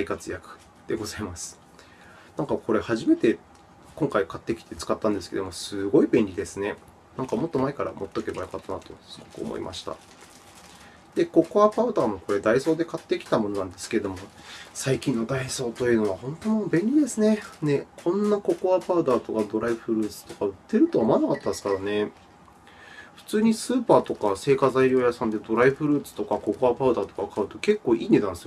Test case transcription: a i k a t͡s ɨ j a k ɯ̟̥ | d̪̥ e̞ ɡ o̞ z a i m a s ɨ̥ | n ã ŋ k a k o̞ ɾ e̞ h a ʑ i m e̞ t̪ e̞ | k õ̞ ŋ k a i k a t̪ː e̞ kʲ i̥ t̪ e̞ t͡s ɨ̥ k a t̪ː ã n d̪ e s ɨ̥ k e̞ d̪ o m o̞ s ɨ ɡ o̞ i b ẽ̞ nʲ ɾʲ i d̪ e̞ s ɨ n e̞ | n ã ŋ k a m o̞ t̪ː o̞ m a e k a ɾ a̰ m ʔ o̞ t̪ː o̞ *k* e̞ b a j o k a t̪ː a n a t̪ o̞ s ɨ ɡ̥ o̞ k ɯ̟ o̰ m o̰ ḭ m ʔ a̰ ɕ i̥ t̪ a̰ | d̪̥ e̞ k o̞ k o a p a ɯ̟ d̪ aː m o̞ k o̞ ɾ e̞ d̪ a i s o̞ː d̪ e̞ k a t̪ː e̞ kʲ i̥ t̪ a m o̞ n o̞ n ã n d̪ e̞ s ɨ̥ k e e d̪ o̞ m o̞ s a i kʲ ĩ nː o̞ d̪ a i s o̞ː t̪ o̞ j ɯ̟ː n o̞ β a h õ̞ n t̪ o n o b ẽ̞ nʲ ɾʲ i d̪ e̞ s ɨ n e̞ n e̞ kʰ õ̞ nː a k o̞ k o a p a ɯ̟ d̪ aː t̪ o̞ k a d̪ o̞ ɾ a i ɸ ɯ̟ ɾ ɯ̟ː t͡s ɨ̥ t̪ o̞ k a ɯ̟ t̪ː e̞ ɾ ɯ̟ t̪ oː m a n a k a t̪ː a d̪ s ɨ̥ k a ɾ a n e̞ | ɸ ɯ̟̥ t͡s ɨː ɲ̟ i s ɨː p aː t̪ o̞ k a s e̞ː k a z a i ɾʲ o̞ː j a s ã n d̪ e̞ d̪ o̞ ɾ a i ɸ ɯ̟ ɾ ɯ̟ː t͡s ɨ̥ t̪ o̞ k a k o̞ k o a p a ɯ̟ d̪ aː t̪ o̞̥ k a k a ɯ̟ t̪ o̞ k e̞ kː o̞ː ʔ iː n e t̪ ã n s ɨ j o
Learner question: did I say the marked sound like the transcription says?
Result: yes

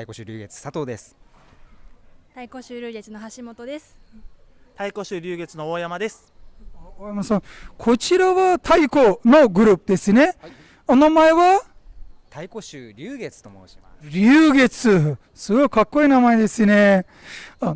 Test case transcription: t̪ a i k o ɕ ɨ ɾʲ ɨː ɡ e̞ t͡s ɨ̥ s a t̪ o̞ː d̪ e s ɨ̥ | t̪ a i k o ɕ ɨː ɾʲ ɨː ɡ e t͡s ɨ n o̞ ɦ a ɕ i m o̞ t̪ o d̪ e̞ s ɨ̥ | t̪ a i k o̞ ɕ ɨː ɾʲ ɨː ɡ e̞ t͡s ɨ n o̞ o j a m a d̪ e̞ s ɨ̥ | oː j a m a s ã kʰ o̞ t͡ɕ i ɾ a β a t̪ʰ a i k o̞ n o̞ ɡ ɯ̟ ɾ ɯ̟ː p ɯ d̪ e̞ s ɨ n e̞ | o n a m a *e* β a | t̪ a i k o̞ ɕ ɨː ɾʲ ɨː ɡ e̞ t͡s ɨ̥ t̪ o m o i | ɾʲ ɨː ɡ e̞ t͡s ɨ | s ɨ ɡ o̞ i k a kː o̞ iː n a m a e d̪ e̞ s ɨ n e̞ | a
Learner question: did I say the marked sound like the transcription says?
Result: yes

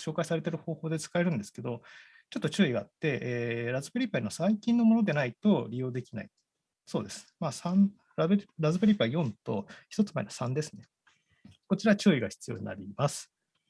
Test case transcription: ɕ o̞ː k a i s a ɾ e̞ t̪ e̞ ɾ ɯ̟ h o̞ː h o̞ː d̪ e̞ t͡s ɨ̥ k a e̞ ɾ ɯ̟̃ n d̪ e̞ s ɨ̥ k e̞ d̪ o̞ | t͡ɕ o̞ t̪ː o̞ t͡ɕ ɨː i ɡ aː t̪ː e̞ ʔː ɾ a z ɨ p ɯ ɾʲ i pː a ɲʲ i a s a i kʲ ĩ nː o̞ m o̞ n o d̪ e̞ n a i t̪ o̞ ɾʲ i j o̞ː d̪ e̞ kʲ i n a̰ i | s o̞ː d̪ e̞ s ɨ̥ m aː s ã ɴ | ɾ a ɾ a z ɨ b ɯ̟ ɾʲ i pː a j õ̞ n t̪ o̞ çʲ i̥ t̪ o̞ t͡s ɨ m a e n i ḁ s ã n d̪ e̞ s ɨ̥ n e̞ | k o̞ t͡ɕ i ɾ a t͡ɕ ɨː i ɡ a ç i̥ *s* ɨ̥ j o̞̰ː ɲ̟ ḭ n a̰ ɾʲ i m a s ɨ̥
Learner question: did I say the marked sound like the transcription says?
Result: no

